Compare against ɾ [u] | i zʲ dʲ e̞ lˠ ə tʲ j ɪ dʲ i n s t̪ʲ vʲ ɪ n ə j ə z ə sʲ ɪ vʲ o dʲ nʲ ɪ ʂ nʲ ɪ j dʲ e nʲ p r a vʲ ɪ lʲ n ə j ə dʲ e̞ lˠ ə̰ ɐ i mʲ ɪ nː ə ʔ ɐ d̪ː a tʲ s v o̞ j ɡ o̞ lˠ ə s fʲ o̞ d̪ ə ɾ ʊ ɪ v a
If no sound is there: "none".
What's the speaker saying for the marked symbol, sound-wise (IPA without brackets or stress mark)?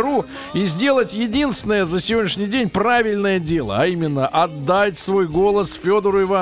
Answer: u